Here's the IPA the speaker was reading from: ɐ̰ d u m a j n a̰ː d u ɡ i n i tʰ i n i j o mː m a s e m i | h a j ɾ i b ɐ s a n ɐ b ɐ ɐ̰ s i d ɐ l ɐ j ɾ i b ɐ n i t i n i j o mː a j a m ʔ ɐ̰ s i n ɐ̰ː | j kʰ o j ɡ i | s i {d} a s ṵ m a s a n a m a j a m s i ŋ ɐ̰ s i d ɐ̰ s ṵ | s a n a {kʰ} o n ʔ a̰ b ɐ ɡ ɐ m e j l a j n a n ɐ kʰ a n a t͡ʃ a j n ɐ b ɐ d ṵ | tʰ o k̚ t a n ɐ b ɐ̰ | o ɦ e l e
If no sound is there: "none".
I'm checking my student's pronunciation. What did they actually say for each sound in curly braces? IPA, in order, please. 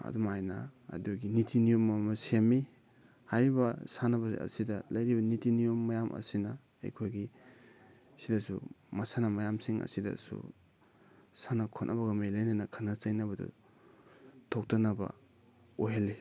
d, kʰ

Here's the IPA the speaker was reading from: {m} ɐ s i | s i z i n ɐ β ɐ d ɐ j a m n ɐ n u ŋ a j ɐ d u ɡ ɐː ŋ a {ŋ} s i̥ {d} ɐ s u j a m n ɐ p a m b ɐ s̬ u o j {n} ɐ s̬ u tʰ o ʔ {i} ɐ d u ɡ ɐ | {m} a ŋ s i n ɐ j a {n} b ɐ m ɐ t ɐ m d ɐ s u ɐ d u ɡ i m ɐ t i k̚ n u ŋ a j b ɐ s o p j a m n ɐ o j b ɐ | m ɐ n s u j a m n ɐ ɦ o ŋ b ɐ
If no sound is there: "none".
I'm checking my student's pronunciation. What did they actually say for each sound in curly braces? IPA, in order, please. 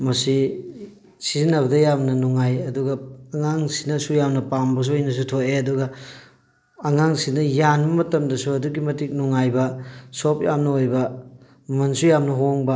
m, ŋ, n, n, e, ŋ, n

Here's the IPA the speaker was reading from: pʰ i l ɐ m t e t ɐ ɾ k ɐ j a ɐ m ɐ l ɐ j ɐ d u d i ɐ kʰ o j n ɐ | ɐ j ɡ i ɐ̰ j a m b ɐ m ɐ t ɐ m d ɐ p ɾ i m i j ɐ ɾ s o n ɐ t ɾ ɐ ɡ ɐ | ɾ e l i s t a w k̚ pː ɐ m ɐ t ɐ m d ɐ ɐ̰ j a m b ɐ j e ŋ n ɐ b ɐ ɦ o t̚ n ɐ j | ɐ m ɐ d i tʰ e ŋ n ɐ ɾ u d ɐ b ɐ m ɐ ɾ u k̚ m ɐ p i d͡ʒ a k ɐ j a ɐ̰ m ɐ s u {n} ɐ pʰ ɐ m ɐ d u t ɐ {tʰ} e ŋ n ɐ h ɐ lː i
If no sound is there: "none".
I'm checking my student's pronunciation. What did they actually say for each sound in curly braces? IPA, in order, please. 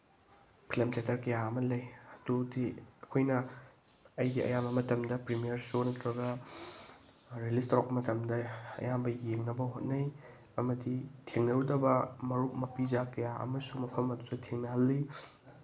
m, tʰ

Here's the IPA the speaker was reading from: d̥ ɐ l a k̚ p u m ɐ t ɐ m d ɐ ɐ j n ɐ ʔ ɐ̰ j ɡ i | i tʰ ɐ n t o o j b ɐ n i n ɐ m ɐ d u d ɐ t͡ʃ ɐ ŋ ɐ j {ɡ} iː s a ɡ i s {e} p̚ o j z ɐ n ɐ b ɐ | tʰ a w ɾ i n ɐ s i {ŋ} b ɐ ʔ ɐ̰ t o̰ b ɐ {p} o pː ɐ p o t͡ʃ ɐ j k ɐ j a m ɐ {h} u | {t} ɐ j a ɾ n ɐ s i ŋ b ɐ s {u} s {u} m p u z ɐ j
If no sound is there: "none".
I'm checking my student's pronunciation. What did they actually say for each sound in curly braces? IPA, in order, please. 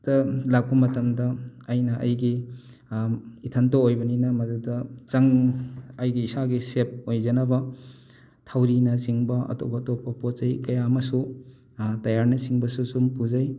ɡ, e, ŋ, t, s, t, u, u

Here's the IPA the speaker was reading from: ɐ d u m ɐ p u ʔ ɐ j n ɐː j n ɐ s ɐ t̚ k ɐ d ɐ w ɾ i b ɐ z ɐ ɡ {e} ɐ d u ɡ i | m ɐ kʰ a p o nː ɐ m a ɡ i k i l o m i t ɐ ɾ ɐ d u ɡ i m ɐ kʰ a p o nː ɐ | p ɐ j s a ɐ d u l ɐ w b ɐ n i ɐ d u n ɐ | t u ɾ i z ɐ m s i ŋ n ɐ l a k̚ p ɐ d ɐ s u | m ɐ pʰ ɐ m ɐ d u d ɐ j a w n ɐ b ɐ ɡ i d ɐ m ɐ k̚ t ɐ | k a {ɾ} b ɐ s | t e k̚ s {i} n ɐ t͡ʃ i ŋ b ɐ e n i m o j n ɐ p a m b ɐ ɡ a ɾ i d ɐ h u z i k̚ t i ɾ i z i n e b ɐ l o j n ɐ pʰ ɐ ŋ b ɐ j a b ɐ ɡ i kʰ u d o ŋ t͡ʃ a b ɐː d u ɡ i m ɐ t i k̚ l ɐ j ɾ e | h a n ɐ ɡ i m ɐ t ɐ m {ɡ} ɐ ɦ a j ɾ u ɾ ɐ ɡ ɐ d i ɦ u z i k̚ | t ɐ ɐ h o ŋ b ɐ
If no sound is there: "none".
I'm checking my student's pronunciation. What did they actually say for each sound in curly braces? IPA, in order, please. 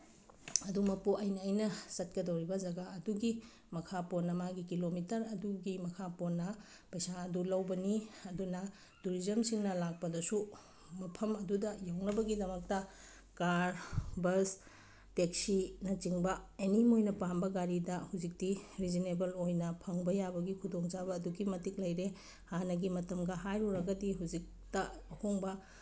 a, ɾ, i, ɡ

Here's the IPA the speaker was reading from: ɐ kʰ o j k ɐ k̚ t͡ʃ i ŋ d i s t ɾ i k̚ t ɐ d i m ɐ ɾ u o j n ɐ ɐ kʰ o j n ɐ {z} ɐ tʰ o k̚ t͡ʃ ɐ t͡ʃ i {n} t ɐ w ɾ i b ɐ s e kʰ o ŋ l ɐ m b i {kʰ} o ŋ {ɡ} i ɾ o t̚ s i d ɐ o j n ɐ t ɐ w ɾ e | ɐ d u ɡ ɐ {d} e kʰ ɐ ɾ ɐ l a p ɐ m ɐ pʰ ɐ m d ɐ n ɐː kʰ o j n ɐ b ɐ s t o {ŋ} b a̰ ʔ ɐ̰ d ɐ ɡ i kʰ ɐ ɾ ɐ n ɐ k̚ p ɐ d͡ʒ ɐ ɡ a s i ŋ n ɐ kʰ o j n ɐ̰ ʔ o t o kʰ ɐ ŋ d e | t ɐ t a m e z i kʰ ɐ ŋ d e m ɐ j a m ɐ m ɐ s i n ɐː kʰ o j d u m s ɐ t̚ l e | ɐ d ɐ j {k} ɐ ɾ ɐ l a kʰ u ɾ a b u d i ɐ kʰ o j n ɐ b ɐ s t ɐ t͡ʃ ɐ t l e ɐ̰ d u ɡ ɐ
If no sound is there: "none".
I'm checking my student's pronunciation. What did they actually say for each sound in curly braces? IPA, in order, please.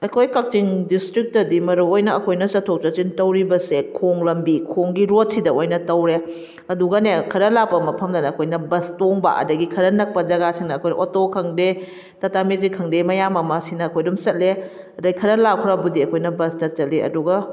s, n, kʰ, ɡ, n, ŋ, kʰ

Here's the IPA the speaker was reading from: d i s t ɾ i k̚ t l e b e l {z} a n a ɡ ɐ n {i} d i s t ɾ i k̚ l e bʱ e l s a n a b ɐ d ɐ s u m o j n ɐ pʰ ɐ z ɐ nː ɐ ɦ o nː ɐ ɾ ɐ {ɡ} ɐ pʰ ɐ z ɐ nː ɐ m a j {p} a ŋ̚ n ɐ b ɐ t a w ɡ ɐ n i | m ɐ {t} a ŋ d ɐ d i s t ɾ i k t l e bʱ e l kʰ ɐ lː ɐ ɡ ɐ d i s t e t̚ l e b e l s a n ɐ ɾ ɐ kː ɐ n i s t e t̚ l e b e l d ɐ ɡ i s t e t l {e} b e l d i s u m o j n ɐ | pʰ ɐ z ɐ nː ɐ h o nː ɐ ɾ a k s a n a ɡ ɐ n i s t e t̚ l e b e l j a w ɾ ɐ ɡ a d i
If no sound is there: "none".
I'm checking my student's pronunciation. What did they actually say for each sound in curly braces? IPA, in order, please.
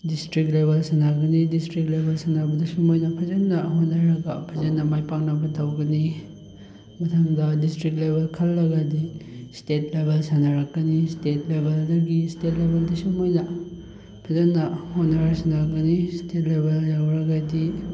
s, i, ɡ, p, tʰ, e

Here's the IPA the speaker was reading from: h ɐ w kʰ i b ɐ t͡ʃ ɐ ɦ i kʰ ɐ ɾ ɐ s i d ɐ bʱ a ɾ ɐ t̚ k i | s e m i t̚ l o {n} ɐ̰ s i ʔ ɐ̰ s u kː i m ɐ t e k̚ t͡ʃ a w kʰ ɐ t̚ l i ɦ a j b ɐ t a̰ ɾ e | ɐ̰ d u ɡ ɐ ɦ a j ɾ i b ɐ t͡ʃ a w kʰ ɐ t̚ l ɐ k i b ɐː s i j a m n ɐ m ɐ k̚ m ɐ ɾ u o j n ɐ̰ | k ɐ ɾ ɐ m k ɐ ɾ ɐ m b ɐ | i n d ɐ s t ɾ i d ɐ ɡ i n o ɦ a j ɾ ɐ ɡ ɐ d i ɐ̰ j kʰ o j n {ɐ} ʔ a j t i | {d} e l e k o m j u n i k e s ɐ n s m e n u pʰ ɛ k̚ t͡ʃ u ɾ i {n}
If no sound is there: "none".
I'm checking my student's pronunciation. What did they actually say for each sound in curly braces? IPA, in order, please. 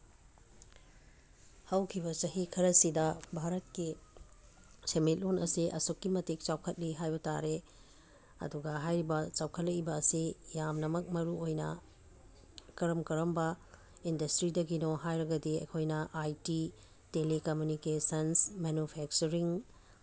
n, ɐ, t, ŋ

